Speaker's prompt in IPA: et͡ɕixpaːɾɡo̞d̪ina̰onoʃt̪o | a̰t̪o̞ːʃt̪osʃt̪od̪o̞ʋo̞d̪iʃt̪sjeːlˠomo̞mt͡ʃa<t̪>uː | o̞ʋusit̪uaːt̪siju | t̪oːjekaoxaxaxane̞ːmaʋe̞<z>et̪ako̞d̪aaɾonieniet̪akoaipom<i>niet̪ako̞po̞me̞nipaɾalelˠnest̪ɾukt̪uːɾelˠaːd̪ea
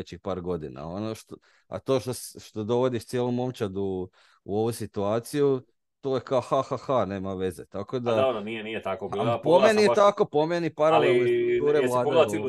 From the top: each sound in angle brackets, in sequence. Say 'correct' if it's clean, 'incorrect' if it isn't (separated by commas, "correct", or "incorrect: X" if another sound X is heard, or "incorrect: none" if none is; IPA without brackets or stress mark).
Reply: incorrect: d̪, correct, incorrect: e